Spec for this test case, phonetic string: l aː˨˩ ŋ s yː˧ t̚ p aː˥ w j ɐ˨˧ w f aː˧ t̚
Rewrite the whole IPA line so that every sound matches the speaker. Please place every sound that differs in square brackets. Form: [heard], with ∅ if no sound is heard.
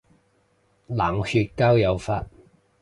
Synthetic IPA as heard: l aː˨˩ ŋ [h] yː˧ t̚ [k] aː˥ w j ɐ˨˧ w f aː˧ t̚